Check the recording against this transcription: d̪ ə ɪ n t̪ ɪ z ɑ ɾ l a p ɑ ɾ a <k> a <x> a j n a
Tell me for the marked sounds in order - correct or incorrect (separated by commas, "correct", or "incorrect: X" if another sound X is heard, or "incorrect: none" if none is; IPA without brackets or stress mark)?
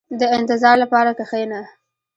correct, correct